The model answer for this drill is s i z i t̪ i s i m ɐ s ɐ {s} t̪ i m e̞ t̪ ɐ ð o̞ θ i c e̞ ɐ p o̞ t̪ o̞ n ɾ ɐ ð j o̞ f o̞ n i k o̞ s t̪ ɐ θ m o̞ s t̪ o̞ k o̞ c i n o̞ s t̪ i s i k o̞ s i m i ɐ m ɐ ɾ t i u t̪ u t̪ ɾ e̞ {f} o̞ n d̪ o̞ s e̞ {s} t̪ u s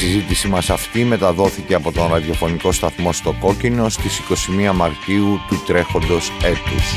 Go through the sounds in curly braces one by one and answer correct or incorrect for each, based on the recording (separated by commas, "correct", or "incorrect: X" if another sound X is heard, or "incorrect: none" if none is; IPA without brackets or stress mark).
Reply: incorrect: f, incorrect: x, incorrect: none